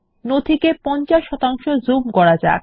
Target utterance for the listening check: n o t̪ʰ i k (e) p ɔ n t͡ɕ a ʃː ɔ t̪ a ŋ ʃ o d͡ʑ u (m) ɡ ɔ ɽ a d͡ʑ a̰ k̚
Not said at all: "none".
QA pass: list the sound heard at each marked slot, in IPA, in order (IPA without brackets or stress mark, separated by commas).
e, m